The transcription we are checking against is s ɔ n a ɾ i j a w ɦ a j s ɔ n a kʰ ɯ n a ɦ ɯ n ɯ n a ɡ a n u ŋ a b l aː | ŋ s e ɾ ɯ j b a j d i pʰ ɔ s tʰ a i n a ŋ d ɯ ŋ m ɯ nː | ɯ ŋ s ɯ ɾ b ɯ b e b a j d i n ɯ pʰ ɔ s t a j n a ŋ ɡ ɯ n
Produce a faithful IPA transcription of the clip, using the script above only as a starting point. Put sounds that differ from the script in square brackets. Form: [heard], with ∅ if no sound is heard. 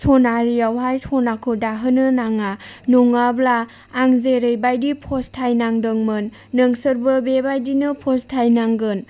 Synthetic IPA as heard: s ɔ n a ɾ i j a w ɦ a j s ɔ n a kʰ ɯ [d] a ɦ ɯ n ɯ n a [ŋ] a n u ŋ a b l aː | ŋ [z] e ɾ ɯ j b a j d i pʰ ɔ s tʰ a [j] n a ŋ d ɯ ŋ m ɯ nː | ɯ ŋ s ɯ ɾ b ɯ b e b a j d i n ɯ pʰ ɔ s [tʰ] a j n a ŋ ɡ ɯ n

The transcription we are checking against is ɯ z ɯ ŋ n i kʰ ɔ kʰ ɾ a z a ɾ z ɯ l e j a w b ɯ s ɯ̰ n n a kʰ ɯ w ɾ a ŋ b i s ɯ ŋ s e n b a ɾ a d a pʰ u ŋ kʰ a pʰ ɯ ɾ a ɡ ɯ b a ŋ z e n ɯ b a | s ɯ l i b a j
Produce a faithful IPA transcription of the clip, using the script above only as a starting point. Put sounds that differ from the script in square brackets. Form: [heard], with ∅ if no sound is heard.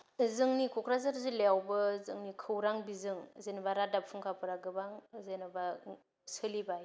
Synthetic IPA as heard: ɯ z ɯ ŋ n i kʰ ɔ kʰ ɾ a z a ɾ z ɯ l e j a w b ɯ [z] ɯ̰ [ŋ] n [i] kʰ ɯ w ɾ a ŋ b i [z] ɯ ŋ [z] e n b a ɾ a d a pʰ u ŋ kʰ a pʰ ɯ ɾ a ɡ ɯ b a ŋ z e n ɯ b a | s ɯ l i b a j

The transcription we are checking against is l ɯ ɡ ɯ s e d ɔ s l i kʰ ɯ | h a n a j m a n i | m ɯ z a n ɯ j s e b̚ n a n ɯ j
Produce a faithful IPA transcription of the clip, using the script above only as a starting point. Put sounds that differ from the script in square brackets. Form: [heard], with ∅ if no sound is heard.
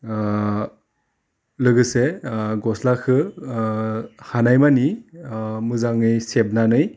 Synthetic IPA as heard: l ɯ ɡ ɯ s e [ɡ] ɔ s l [a] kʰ ɯ | h a n a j m a n i | m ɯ z a [ŋ] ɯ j s e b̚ n a n ɯ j

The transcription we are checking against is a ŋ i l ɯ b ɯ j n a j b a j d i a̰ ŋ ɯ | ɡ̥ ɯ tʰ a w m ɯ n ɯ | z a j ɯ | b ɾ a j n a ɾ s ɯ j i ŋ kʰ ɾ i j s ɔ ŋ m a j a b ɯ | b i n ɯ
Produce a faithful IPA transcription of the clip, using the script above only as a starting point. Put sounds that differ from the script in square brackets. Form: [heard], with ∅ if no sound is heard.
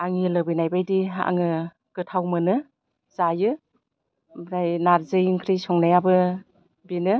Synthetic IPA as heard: a ŋ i l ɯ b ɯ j n a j b a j d i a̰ ŋ ɯ | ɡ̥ ɯ tʰ a w m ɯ n ɯ | z a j ɯ | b ɾ a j n a ɾ [z] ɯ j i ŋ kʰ ɾ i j s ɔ ŋ [n] a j a b ɯ | b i n ɯ

